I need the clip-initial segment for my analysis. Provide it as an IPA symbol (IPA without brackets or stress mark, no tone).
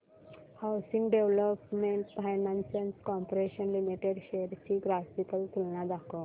h